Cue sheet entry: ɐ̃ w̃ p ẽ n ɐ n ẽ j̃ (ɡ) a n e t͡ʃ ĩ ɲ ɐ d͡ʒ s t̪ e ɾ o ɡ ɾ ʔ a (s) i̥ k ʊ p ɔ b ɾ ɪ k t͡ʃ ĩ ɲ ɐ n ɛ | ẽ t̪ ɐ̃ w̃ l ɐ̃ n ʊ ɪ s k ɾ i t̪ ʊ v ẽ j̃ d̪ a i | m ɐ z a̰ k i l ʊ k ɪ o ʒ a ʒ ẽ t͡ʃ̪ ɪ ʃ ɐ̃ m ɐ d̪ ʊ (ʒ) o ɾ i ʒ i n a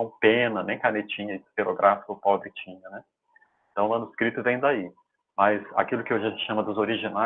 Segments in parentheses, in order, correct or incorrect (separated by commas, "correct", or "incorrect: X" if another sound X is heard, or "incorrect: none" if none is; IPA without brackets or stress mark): incorrect: k, incorrect: f, incorrect: z